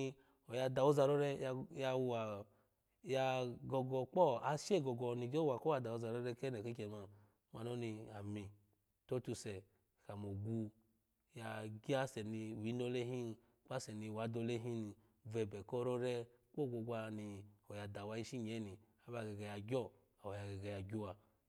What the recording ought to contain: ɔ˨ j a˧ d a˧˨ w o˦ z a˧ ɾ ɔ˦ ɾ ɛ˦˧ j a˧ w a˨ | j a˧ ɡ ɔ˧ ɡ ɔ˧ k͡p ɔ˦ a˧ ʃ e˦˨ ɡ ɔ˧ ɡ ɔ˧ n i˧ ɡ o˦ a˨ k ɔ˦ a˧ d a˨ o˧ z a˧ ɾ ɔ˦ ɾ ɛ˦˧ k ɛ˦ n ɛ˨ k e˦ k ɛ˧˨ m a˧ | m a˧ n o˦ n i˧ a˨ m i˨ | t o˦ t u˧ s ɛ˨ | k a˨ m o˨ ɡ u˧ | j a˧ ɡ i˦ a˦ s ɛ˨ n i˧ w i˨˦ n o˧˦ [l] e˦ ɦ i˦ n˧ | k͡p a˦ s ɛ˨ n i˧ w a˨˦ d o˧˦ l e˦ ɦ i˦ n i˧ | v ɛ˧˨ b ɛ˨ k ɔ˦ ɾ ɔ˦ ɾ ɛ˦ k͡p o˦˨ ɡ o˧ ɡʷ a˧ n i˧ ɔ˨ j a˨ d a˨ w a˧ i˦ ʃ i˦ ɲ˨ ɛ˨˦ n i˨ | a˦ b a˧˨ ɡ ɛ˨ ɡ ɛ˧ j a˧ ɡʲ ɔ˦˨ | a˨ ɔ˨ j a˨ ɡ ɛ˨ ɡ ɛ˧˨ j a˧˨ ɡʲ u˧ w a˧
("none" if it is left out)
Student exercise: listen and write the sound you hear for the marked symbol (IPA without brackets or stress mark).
l